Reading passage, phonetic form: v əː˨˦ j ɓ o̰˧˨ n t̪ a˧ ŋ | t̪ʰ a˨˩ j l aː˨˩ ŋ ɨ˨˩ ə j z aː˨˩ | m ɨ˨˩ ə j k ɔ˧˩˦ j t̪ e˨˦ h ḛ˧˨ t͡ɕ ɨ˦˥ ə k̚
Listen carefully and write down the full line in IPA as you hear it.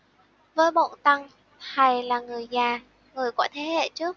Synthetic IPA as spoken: v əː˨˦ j ɓ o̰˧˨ n t̪ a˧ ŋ | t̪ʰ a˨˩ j l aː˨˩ ŋ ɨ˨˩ ə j z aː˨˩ | ŋ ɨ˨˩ ə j k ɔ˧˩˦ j t̪ʰ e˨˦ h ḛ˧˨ t͡ɕ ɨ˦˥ ə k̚